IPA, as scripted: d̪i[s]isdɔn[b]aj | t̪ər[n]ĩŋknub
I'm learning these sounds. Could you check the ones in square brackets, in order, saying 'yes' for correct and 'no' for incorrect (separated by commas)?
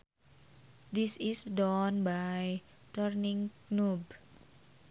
yes, yes, yes